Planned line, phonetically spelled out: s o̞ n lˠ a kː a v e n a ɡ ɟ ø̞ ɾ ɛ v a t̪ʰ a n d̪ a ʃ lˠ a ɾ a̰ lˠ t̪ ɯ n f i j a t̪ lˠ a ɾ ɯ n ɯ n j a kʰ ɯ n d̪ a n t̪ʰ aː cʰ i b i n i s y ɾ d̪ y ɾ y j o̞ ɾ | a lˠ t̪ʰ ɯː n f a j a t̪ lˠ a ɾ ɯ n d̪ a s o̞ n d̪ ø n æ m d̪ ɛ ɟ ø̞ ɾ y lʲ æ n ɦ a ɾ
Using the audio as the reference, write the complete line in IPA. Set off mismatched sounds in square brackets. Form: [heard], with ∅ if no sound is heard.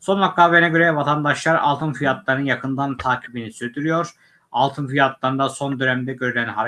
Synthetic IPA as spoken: s o̞ n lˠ a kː a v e n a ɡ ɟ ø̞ ɾ ɛ v a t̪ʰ a n d̪ a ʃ lˠ a ɾ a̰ lˠ t̪ ɯ n f i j a t̪ lˠ a ɾ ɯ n ɯ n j a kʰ ɯ n d̪ a n t̪ʰ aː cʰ i b i n i s y ɾ d̪ y ɾ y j o̞ ɾ | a lˠ t̪ʰ [ɯ] n f [i] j a t̪ lˠ a ɾ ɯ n d̪ a s o̞ n d̪ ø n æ m d̪ ɛ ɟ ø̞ ɾ y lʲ æ n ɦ a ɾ